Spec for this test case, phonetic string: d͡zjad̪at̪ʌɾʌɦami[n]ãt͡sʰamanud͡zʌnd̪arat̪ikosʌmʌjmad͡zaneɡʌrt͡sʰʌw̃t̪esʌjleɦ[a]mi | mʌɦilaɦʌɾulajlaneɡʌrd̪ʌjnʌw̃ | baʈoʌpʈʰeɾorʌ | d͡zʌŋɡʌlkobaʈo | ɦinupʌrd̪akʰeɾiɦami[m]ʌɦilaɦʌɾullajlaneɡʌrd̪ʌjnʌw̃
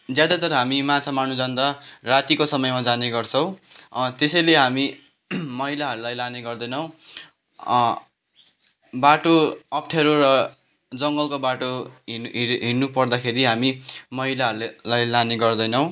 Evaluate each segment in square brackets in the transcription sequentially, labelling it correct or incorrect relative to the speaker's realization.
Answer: incorrect: m, correct, correct

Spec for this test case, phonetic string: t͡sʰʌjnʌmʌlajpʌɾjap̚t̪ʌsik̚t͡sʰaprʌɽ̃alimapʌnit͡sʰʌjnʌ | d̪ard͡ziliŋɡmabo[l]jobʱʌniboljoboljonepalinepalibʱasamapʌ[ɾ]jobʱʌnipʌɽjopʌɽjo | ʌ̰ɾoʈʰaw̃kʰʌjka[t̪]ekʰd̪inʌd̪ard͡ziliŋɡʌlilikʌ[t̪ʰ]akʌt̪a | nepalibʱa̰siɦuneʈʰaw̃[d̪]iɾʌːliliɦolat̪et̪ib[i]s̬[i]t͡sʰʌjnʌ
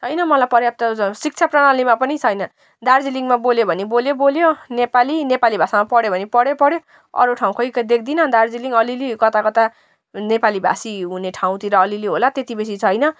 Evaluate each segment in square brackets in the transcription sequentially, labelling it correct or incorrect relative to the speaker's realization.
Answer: correct, incorrect: ɽ, incorrect: d̪, incorrect: t̪, incorrect: t̪, incorrect: e, correct

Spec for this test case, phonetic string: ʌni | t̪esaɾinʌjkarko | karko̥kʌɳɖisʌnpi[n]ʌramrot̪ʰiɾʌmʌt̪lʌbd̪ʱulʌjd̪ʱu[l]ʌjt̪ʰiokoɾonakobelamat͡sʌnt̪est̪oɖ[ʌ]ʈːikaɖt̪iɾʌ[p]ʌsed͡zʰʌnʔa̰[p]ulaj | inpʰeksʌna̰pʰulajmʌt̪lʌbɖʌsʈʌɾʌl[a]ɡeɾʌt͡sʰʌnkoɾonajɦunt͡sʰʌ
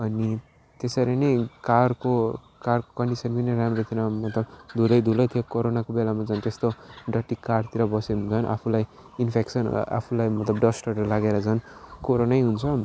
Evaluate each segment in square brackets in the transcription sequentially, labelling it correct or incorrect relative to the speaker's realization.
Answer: correct, correct, correct, incorrect: b, incorrect: pʰ, correct

